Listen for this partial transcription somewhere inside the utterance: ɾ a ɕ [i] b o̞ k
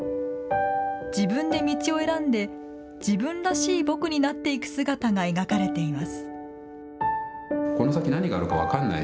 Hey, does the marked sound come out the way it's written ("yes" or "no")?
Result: no